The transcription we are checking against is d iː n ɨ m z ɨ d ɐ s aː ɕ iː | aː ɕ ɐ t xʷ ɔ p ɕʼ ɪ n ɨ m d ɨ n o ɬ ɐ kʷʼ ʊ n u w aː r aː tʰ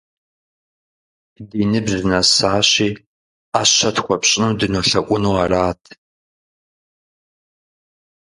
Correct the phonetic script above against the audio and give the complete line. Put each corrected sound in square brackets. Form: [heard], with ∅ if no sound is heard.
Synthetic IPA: d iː n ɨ [b] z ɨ [n] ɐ s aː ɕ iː | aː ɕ ɐ t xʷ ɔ p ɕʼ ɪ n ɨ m d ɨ n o ɬ ɐ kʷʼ ʊ n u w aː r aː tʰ